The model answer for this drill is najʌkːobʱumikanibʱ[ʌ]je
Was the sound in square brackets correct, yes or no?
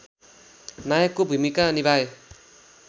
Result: no